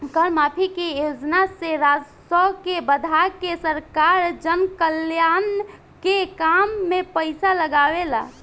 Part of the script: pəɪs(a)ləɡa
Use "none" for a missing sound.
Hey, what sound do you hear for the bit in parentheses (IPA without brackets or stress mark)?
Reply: a